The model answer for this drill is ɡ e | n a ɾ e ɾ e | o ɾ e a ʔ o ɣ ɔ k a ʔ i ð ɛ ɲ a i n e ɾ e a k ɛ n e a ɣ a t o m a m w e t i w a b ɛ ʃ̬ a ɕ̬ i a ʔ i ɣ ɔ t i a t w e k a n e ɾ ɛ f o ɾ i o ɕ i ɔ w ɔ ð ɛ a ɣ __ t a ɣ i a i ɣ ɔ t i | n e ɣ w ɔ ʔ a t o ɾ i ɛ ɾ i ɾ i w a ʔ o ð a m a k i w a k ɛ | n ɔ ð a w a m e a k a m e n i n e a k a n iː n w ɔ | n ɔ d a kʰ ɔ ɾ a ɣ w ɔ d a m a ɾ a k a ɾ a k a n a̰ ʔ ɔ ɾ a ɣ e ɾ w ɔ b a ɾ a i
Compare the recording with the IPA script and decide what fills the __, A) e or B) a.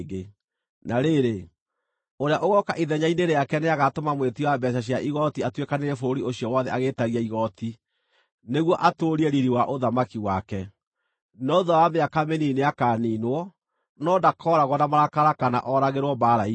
A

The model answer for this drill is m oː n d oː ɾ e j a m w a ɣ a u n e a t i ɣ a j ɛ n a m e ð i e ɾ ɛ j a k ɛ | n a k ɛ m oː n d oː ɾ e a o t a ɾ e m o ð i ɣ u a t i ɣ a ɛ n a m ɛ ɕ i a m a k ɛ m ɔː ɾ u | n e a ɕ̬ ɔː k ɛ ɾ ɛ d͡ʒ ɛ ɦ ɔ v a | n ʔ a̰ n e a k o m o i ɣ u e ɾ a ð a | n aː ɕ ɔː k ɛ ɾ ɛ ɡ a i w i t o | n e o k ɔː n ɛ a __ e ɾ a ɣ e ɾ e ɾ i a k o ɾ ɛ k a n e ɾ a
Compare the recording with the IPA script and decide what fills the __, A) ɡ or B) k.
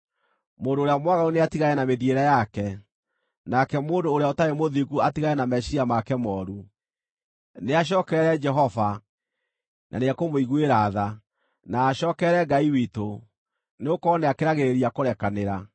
B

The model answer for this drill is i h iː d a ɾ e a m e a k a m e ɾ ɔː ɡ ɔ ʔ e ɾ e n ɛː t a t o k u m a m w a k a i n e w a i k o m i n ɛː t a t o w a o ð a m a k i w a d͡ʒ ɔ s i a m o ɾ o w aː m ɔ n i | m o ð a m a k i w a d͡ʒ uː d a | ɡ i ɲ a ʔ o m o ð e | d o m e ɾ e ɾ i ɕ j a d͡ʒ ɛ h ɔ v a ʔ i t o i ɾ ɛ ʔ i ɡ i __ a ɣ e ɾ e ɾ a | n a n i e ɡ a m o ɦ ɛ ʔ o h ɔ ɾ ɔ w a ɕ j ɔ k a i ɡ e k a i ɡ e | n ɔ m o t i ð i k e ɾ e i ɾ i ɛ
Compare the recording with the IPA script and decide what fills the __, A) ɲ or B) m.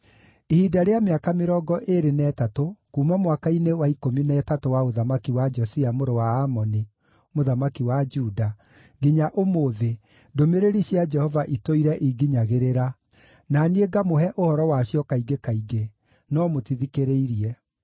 A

